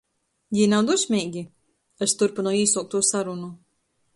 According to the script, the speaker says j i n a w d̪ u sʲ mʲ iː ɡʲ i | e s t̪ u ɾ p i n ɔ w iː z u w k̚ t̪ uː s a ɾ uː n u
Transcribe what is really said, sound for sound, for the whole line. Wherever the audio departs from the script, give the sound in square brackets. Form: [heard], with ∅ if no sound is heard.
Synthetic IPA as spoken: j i n a w d̪ u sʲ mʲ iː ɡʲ i | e s t̪ u ɾ p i n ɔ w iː [s] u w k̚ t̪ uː s a ɾ [u] n u